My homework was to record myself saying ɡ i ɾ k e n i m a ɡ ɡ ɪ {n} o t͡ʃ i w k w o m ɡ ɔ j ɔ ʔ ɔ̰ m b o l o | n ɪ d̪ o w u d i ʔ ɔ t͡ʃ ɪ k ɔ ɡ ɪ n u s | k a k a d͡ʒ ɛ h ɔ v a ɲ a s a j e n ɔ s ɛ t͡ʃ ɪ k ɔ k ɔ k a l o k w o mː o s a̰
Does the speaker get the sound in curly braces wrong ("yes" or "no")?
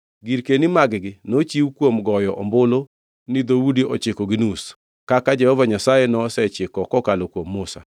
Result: no